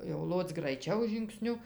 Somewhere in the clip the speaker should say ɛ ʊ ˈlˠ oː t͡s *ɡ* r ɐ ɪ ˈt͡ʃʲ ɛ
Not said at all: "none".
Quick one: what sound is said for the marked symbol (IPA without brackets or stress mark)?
ɡ